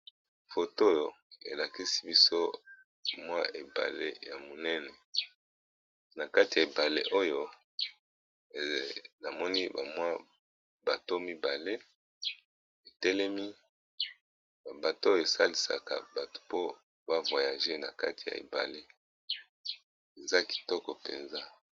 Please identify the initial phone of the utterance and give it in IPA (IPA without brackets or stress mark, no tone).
f